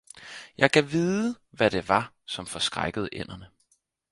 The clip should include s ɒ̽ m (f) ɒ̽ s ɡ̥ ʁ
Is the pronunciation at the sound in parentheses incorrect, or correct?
correct